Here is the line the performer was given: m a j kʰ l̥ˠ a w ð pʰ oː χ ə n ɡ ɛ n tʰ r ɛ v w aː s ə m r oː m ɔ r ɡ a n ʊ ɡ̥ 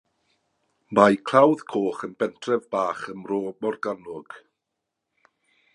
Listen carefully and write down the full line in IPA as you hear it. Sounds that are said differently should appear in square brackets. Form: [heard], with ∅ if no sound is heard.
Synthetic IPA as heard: m a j kʰ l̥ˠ a w ð [kʰ] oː χ ə n [b] ɛ n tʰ r ɛ v [b] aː [χ] ə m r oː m ɔ r ɡ a n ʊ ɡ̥